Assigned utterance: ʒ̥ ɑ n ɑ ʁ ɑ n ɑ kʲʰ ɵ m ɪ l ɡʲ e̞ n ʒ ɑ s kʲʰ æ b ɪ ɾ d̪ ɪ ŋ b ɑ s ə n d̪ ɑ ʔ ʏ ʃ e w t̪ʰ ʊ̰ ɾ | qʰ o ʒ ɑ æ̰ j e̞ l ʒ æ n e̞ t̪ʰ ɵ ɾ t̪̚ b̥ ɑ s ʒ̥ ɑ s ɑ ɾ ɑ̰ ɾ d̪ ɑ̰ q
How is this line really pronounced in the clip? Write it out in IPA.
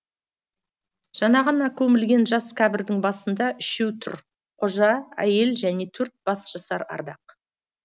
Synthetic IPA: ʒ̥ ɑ n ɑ ʁ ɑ n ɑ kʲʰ ɵ m ɪ l ɡʲ e̞ n ʒ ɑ s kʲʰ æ b ɪ ɾ d̪ ɪ ŋ b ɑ s ə n d̪ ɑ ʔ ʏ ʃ e w t̪ʰ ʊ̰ ɾ | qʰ o ʒ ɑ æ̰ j e̞ l ʒ æ n e̞ t̪ʰ ɵ ɾ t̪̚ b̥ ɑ s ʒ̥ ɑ s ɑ ɾ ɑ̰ ɾ d̪ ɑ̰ q